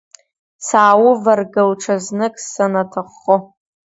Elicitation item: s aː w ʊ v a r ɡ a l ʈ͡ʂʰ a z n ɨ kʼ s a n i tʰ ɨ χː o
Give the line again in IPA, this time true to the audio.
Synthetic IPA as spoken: s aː w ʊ v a r ɡ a l ʈ͡ʂʰ a z n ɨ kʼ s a n a tʰ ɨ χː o